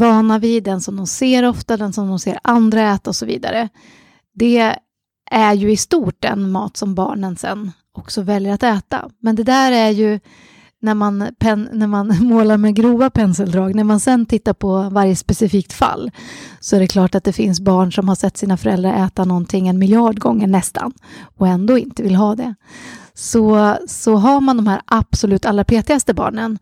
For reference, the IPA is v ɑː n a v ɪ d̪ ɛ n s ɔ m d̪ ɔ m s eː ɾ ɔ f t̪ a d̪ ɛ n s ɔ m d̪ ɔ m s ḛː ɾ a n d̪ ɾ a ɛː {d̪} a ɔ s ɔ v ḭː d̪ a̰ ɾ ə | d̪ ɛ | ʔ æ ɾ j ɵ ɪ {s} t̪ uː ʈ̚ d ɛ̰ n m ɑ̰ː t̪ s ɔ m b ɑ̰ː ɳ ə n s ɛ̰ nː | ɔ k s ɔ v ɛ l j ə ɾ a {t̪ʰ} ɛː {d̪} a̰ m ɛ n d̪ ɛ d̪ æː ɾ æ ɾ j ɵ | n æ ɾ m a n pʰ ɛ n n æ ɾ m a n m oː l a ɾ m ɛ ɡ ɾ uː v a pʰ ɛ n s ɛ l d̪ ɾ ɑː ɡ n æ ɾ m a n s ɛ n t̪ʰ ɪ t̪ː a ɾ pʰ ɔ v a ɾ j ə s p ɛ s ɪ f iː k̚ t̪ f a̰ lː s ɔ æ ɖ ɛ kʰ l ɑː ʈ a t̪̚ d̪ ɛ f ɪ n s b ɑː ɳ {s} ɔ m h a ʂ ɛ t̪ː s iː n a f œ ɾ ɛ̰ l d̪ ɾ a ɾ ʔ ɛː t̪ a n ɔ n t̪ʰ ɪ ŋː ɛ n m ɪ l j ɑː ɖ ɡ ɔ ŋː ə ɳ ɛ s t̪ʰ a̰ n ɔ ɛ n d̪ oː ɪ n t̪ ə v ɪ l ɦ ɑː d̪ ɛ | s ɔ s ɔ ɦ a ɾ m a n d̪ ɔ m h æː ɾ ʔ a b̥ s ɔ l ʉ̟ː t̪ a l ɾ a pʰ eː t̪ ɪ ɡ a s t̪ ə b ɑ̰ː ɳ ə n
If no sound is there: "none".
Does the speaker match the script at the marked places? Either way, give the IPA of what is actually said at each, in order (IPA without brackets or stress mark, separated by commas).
t̪, s, t̪, t̪, ʂ